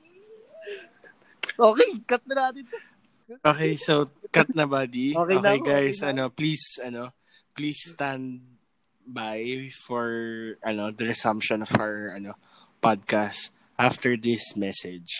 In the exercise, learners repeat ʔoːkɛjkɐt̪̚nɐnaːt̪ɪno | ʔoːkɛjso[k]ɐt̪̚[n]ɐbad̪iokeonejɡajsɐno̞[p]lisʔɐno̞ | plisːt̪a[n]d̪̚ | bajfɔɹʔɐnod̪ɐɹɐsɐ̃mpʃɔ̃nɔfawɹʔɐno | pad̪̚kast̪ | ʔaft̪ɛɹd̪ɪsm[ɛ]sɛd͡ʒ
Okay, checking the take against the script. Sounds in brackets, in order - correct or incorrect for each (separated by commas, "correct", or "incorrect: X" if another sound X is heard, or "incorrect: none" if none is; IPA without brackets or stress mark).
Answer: correct, correct, correct, correct, correct